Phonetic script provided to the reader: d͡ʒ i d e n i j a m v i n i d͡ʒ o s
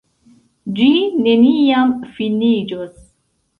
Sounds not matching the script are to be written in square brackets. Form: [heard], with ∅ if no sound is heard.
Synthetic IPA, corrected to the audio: d͡ʒ i [n] e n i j a m [f] i n i d͡ʒ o s